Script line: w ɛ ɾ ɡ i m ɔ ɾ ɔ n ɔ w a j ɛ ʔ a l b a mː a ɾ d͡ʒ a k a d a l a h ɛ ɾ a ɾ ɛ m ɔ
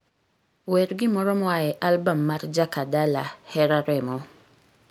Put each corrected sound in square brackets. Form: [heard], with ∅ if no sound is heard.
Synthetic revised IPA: w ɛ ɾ ɡ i m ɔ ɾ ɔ [m] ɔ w a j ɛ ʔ a l b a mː a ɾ d͡ʒ a k a d a l a h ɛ ɾ a ɾ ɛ m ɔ